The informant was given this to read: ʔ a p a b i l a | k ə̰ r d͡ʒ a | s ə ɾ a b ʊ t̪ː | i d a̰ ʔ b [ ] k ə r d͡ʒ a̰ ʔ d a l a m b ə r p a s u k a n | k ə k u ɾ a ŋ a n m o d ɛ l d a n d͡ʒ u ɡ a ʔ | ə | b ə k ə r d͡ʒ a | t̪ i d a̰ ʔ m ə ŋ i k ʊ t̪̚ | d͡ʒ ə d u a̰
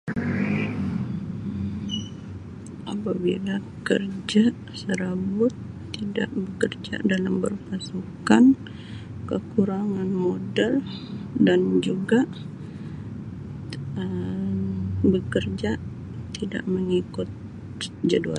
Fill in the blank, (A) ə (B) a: A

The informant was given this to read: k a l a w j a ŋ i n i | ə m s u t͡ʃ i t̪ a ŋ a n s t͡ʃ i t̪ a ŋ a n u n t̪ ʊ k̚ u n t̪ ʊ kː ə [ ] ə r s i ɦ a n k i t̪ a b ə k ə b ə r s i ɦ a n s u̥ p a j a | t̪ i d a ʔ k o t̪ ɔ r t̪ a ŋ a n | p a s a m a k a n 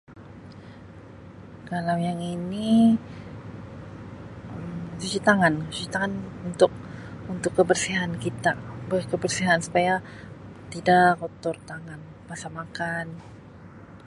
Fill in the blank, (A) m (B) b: B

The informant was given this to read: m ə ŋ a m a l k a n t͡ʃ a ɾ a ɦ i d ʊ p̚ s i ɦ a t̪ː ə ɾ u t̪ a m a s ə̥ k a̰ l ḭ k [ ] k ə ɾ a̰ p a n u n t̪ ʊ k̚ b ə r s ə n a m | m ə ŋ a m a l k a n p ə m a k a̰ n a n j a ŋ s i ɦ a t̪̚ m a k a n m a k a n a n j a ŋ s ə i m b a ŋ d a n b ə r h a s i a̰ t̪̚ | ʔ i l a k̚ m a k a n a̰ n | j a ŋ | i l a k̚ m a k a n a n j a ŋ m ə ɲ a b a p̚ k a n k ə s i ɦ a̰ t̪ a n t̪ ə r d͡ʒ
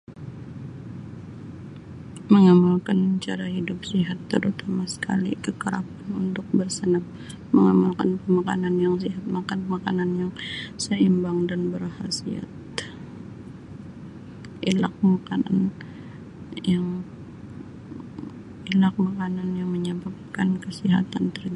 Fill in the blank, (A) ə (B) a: A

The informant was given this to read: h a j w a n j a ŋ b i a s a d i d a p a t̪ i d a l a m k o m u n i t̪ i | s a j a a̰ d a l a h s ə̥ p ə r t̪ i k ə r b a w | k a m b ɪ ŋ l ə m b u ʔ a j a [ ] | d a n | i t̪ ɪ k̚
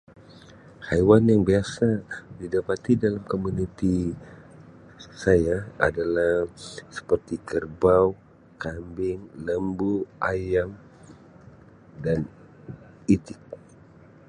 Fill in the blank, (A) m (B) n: A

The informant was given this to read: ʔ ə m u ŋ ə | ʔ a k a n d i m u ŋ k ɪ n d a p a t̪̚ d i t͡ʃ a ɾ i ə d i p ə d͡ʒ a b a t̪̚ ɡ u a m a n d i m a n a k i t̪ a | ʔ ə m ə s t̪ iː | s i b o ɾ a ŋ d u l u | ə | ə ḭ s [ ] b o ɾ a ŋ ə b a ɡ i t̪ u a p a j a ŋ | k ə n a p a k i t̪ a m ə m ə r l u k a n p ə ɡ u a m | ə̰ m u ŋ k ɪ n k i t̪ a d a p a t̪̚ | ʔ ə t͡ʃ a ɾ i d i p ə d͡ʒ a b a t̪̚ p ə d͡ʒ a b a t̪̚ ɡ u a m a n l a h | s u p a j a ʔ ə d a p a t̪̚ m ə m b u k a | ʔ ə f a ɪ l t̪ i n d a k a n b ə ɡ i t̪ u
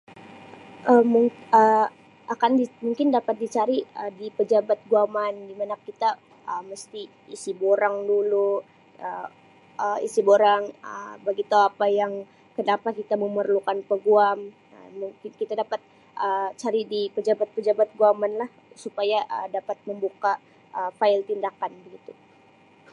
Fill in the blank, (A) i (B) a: A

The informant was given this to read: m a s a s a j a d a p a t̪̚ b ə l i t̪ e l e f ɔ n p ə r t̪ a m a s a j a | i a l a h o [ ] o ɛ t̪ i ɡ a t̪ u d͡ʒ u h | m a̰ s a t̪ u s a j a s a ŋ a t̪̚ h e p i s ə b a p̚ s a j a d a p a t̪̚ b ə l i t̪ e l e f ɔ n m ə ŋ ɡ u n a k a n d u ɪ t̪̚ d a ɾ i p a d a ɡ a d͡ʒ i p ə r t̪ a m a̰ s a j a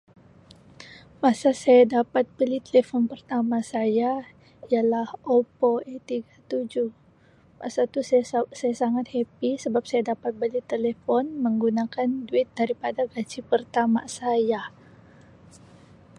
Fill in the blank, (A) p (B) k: A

